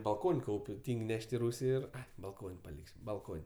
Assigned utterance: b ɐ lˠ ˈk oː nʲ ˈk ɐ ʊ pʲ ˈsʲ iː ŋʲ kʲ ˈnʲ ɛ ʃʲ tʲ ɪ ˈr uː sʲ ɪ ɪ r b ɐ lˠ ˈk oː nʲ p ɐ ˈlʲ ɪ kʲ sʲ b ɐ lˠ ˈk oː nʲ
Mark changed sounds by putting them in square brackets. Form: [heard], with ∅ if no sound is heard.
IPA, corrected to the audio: b ɐ lˠ ˈk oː nʲ ˈk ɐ ʊ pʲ [ˈtʲ] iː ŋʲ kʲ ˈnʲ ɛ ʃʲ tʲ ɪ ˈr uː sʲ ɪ ɪ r b ɐ lˠ ˈk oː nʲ p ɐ ˈlʲ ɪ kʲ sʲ b ɐ lˠ ˈk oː nʲ